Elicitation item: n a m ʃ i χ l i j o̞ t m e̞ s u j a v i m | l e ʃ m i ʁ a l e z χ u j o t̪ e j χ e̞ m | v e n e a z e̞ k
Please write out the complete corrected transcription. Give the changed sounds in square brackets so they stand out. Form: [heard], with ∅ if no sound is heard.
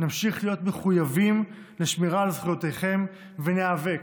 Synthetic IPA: n a m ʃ i χ l i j o̞ t m e̞ [χ] u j a v i m | l e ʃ m i ʁ a l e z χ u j o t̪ e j χ e̞ m | v e n e a [v] e̞ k